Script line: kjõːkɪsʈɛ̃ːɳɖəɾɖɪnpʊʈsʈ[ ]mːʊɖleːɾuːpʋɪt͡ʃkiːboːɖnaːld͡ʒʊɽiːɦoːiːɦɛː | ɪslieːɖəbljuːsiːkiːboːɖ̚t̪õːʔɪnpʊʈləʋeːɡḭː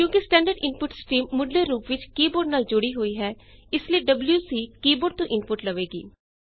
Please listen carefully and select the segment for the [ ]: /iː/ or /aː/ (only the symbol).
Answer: iː